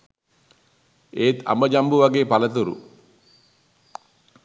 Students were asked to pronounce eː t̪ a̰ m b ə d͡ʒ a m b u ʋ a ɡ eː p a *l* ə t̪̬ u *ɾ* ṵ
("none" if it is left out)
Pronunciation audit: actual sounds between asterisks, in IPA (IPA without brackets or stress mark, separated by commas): l, ɾ